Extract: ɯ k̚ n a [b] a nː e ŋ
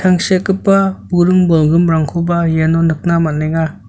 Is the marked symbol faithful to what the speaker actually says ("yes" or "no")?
no